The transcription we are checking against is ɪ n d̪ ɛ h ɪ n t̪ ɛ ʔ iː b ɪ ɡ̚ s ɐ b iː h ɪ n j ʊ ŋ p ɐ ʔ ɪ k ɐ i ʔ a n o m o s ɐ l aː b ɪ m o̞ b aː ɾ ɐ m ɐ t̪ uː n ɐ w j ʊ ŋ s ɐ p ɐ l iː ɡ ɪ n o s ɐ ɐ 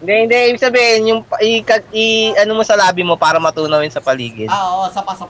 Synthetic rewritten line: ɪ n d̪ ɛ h ɪ n d̪ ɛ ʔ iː b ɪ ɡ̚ s ɐ b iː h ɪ n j ʊ ŋ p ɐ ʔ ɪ k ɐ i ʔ ɐ n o m o s ɐ l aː b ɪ m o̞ p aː ɾ ɐ m ɐ t̪ uː n ɐ w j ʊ n s ɐ p ɐ l iː ɡ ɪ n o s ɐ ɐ